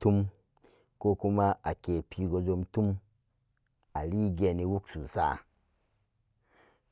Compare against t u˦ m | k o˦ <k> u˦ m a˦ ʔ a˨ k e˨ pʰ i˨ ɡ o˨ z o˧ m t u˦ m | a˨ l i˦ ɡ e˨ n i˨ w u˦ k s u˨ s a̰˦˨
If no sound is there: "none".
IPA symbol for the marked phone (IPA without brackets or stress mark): k